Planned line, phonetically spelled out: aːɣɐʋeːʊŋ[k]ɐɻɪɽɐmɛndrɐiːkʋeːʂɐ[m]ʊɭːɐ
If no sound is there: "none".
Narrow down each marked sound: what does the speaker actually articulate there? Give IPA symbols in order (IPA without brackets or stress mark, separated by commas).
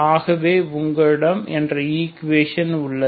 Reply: ɡ, n